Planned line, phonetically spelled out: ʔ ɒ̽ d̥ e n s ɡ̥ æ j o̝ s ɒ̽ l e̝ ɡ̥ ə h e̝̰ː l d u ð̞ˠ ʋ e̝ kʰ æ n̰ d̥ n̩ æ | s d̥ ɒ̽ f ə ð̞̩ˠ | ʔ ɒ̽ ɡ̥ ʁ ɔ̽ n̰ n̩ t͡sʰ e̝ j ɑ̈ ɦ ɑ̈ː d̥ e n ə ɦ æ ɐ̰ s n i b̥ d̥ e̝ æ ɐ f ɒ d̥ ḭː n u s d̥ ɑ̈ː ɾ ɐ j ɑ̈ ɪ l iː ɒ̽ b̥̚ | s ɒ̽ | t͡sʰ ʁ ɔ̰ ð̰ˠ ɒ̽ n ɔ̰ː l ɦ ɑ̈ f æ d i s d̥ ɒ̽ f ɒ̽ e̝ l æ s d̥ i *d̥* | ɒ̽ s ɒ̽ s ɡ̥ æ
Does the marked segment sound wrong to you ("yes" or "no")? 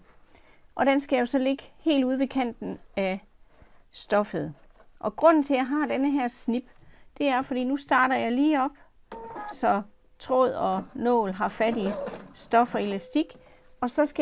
yes